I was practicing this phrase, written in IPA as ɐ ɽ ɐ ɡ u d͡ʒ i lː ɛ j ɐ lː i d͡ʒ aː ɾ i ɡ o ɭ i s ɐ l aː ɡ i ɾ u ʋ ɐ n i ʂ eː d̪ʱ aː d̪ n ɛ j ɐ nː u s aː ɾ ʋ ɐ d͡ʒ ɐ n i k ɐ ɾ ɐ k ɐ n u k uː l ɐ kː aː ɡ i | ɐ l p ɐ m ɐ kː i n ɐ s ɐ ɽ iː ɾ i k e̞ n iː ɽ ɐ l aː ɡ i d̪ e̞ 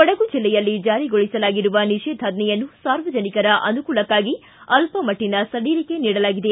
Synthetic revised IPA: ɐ ɽ ɐ ɡ u d͡ʒ i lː ɛ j ɐ lː i d͡ʒ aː ɾ i ɡ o ɭ i s ɐ l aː ɡ i ɾ u ʋ ɐ n i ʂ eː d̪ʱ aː d̪ n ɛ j ɐ nː u s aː ɾ ʋ ɐ d͡ʒ ɐ n i k ɐ ɾ ɐ ʔ ɐ n u k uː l ɐ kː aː ɡ i | ɐ l p ɐ m ɐ ʈː i n ɐ s ɐ ɽ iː ɾ i k e̞ n iː ɽ ɐ l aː ɡ i d̪ e̞